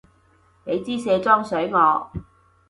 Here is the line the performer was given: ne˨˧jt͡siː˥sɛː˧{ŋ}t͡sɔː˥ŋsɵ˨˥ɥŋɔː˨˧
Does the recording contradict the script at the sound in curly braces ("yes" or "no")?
yes